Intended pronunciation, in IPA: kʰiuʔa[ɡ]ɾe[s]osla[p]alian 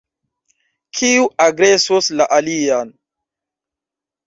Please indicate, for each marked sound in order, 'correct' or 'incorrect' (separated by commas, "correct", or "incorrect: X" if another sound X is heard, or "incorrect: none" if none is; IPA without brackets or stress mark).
correct, correct, incorrect: ʔ